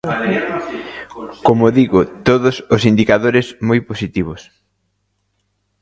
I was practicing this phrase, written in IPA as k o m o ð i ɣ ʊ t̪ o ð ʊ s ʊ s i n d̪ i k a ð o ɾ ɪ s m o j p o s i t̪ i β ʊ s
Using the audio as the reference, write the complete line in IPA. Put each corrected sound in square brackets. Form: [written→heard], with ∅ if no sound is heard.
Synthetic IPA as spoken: k o m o ð i ɣ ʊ t̪ o ð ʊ s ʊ s i n d̪ i k a ð o ɾ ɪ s m o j p o s i t̪ i β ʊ s